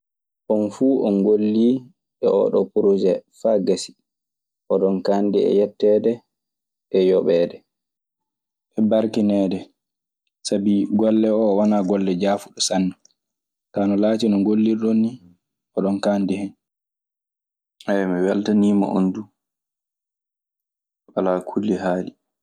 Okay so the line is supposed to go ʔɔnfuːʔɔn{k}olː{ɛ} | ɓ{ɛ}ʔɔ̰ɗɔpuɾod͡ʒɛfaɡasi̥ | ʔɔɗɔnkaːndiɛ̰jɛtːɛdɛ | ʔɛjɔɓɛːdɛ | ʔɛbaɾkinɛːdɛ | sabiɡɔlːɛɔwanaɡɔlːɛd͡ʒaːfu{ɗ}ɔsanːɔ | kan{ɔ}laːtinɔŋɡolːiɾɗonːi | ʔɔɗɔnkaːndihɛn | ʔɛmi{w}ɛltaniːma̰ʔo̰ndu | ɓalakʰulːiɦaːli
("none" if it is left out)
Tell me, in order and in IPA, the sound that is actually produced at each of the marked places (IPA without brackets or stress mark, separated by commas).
ɡ, i, ɛ, ɗ, ɔ, w